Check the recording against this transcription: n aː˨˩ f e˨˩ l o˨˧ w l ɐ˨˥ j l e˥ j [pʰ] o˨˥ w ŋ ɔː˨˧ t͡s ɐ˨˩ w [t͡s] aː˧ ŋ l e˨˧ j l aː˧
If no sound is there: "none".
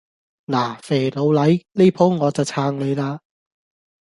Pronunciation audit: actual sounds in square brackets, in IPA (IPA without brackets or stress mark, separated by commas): pʰ, t͡sʰ